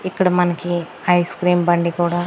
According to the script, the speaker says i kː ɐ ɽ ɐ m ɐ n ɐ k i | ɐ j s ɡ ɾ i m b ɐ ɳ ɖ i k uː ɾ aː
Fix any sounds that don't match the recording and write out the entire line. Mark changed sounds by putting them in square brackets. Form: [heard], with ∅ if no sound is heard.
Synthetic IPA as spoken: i kː ɐ ɽ ɐ m ɐ n ɐ k i | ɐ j s [k] ɾ [iː] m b ɐ ɳ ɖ i k uː [ɽ] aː